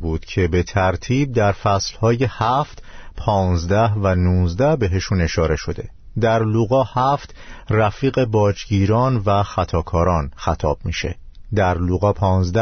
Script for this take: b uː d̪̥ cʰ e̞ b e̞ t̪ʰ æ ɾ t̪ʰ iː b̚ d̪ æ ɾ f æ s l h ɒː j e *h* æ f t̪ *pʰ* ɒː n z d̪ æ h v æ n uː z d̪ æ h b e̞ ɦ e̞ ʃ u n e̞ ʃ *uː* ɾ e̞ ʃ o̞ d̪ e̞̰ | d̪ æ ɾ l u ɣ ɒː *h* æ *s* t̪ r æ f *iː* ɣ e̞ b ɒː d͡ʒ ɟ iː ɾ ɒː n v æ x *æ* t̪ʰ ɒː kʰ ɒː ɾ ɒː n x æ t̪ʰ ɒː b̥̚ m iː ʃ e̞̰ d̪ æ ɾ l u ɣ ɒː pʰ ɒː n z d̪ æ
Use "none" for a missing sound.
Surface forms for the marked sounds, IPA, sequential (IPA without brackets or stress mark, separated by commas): h, pʰ, ɒː, h, f, iː, æ